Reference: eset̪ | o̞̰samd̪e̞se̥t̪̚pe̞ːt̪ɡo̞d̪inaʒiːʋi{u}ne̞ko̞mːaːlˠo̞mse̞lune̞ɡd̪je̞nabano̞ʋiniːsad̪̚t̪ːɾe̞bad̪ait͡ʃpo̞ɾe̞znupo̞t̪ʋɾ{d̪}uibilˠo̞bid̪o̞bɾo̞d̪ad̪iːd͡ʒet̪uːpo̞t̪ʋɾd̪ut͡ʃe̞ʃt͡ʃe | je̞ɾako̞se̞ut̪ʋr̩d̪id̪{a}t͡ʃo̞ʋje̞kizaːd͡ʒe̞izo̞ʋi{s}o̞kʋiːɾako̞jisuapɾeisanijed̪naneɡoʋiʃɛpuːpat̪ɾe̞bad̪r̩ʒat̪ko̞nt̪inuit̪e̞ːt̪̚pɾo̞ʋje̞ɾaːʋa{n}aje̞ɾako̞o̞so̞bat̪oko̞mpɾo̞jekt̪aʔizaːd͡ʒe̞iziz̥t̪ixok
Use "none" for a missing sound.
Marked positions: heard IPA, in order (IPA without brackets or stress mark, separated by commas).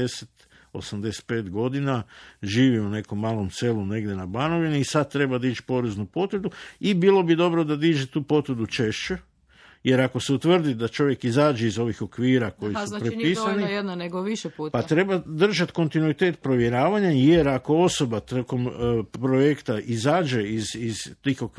u, d̪, a, x, ɲ